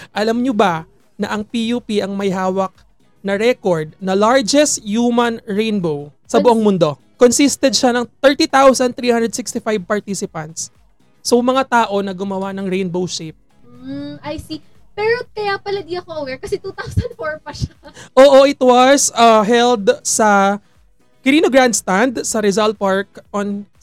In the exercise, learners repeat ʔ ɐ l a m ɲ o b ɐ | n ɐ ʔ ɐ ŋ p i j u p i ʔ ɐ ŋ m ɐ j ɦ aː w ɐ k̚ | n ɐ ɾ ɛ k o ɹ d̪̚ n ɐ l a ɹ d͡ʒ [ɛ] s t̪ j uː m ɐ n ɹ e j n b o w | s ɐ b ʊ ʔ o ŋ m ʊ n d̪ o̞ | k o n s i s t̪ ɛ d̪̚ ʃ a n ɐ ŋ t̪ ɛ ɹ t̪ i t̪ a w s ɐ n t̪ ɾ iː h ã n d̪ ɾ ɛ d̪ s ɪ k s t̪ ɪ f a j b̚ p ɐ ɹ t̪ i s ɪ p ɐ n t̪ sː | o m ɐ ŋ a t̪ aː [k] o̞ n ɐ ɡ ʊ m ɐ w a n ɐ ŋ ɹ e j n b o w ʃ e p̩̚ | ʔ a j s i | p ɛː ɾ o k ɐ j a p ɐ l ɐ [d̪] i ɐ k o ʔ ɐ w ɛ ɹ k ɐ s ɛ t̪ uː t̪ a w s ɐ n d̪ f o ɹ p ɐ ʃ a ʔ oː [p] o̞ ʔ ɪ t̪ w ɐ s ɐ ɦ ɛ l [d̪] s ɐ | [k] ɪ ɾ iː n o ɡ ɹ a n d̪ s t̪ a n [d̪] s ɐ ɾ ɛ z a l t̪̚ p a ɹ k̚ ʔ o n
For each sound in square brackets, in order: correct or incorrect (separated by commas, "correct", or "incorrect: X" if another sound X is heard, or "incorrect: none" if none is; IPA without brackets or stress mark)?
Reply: correct, incorrect: ʔ, correct, incorrect: ʔ, correct, correct, correct